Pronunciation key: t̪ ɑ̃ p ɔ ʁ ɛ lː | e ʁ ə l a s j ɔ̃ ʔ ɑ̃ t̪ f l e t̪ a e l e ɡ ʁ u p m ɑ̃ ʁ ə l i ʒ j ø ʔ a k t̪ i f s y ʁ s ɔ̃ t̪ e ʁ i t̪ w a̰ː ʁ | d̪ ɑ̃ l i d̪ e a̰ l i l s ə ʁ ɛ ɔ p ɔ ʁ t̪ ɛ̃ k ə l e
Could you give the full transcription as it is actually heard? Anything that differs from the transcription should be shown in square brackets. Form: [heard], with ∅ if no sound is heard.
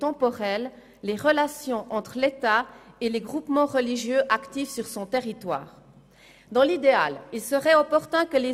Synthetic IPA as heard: t̪ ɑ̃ p ɔ ʁ ɛ lː | e ʁ ə l a s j ɔ̃ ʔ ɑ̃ t̪ [χ] l e t̪ a e l e ɡ ʁ u p m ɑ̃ ʁ ə l i ʒ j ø ʔ a k t̪ i f s y ʁ s ɔ̃ t̪ e ʁ i t̪ w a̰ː ʁ | d̪ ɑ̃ l i d̪ e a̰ l i l s ə ʁ ɛ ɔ p ɔ ʁ t̪ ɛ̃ k ə l e